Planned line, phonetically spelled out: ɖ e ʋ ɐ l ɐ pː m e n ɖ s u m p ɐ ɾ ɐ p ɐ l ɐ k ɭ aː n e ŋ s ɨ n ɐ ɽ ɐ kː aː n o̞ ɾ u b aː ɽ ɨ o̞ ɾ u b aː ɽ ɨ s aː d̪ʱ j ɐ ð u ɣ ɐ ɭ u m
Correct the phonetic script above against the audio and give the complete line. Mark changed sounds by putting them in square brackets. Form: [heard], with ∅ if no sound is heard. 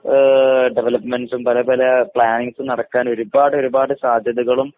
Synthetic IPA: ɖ e ʋ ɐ l ɐ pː m e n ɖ s u m p ɐ [l] ɐ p ɐ l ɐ [p] ɭ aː n [i] ŋ s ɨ n ɐ ɽ ɐ kː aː n o̞ ɾ u b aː ɽ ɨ o̞ ɾ u b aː ɽ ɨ s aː d̪ʱ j ɐ ð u ɣ ɐ ɭ u m